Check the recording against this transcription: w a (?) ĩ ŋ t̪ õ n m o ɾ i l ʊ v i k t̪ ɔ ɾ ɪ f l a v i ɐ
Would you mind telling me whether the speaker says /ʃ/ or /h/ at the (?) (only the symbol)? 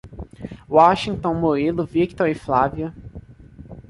ʃ